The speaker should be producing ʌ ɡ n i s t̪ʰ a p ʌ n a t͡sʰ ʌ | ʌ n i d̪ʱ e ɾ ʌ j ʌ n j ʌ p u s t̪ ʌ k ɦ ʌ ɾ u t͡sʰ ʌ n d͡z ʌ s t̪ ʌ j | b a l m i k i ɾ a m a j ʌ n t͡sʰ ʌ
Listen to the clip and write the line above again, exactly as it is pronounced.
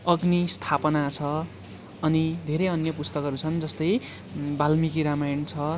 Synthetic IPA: ʌ ɡ n i s t̪ʰ a p ʌ n a t͡sʰ ʌ | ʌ n i d̪ʱ e ɾ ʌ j ʌ n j ʌ p u s t̪ ʌ k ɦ ʌ ɾ u t͡sʰ ʌ n d͡z ʌ s t̪ ʌ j | b a l m i k i ɾ a m a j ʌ n t͡sʰ ʌ